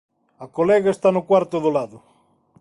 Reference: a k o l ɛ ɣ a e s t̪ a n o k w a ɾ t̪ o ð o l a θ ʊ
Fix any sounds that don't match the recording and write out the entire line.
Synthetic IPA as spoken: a k o l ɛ ɣ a e s t̪ a n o k w a ɾ t̪ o ð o l a ð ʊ